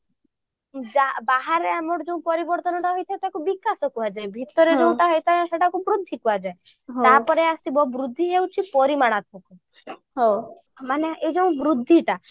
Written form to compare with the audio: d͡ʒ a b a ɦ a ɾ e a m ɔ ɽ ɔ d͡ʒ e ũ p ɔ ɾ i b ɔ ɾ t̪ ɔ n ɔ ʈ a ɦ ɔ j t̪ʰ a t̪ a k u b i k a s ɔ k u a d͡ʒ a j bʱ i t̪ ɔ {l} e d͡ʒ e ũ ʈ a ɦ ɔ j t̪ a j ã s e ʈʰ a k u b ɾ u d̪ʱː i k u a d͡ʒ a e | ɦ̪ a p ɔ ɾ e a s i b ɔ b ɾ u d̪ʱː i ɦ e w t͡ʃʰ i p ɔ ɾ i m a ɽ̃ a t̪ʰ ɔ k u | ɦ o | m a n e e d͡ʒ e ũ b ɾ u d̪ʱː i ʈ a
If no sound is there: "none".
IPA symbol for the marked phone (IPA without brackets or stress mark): ɾ